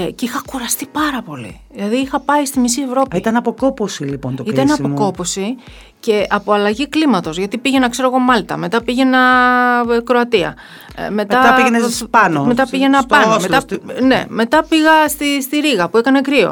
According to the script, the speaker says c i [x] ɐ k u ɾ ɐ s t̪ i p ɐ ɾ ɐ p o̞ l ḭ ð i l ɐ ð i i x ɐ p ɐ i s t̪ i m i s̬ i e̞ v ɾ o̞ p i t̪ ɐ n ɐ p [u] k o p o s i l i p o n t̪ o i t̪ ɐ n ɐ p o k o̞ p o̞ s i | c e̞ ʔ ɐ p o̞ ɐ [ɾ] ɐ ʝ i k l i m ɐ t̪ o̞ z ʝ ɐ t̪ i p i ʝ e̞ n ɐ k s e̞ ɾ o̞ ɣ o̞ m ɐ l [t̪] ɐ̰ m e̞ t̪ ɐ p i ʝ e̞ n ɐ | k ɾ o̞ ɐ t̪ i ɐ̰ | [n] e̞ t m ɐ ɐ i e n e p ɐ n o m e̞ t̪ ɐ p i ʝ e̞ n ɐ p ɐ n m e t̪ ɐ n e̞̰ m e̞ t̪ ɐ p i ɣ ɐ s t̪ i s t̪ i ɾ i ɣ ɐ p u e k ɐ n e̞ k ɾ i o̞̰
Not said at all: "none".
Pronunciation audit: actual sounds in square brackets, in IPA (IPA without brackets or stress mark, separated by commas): x, o, l, t̪, m